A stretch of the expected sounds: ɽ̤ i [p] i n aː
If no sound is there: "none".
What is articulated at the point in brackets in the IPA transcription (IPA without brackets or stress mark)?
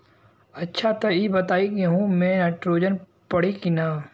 k